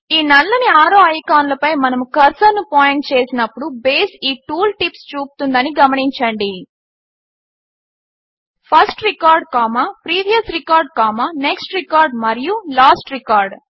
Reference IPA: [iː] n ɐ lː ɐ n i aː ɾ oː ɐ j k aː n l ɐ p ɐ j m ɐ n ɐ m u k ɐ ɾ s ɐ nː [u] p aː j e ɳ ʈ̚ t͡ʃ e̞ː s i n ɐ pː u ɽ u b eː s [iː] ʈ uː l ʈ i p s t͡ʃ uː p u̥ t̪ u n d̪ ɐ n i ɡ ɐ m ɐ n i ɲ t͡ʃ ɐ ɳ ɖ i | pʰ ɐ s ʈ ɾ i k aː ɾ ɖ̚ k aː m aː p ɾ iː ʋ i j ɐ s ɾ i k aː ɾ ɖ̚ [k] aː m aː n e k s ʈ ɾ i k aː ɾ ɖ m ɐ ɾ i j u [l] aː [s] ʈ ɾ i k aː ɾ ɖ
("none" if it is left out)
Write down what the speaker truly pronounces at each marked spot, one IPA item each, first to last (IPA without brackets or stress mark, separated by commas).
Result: iː, u, iː, k, l, s